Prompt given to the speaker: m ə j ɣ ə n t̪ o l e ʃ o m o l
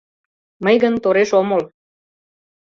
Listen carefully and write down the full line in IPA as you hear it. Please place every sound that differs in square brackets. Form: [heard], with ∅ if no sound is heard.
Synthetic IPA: m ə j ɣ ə n t̪ o [ɾ] e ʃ o m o l